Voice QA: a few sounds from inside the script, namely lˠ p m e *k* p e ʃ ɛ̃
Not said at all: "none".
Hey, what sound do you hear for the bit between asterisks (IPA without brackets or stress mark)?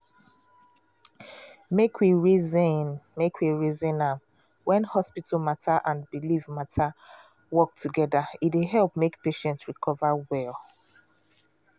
k